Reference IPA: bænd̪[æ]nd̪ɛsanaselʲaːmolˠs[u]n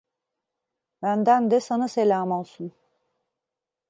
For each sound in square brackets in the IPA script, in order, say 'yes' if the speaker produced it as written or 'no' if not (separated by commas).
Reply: yes, yes